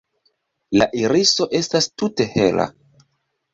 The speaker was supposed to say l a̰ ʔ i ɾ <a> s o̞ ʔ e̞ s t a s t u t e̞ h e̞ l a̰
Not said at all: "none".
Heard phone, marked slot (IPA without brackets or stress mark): i